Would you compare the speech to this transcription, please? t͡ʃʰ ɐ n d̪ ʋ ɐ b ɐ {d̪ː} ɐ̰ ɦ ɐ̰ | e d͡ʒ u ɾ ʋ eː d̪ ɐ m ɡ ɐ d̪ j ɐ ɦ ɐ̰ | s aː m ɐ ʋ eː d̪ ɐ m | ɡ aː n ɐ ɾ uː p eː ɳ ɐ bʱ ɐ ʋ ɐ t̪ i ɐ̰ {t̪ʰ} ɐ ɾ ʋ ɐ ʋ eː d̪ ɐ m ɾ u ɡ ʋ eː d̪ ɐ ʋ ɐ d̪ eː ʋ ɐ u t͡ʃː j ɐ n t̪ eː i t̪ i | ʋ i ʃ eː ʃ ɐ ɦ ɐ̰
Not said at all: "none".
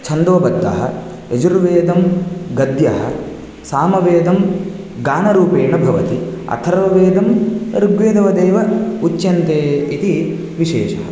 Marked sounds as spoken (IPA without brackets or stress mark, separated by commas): d̪ː, t̪ʰ